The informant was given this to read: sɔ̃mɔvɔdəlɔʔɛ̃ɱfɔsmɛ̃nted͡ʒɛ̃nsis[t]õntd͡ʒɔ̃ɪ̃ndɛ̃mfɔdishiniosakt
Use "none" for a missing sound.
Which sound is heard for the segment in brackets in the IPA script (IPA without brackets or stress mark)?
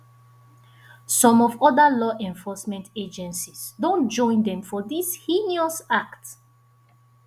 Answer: d